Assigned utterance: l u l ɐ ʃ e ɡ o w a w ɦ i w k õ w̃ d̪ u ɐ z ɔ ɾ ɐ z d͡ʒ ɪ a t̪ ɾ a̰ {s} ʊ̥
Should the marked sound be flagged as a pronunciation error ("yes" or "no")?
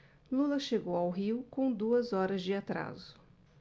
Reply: yes